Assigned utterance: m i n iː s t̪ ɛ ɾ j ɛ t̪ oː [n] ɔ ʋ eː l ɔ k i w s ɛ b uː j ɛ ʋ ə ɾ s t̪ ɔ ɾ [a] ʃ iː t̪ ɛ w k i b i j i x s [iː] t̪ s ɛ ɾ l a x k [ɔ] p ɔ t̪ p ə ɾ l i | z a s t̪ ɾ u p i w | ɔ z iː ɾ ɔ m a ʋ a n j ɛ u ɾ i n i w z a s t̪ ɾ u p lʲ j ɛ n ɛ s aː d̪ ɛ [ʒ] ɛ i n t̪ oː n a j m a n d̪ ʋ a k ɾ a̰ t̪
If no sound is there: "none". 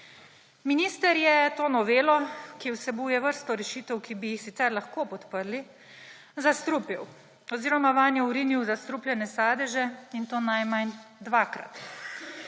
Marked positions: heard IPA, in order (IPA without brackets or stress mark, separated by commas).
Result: n, ɛ, i, o, ʒ